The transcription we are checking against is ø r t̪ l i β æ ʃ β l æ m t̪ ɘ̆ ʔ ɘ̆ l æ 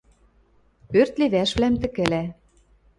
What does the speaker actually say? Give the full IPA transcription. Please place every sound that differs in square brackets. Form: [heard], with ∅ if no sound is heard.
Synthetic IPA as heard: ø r t̪ l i β æ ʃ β l æ m t̪ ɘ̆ [k] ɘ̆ l æ